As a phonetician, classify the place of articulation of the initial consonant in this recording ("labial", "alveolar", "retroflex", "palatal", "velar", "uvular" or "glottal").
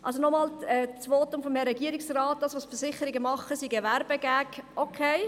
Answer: glottal